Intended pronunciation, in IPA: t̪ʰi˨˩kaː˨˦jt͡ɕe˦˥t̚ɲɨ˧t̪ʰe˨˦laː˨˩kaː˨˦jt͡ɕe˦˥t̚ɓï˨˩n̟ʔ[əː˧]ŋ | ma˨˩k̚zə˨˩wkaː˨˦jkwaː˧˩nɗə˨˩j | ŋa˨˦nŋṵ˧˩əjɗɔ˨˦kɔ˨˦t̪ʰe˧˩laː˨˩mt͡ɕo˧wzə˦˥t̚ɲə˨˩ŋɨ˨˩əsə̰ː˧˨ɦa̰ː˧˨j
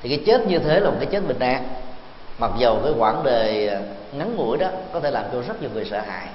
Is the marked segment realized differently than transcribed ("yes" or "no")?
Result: yes